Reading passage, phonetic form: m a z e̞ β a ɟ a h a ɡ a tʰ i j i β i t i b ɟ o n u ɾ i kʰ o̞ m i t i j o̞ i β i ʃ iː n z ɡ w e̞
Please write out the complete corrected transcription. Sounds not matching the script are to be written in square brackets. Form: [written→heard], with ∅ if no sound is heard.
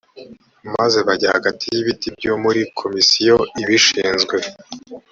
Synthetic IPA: m a z e̞ β a ɟ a h a ɡ a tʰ i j i β i t i b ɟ o [n→m] u ɾ i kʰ o̞ m i [t→s] i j o̞ i β i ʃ iː n z ɡ w e̞